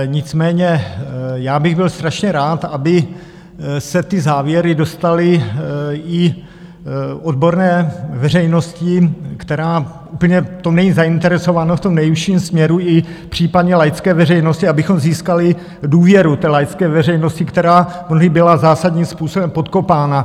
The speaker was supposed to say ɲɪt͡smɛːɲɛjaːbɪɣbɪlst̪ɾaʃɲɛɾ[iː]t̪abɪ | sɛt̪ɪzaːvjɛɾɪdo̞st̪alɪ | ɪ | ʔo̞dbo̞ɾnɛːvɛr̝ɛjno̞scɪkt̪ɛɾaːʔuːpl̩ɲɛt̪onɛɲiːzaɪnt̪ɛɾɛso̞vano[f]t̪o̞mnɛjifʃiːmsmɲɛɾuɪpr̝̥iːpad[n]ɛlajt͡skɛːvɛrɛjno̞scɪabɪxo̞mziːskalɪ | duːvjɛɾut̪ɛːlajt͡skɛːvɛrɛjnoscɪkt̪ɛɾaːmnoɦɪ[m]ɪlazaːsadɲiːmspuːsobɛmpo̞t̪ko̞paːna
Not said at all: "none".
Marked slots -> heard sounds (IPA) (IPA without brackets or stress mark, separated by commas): aː, f, ɲ, b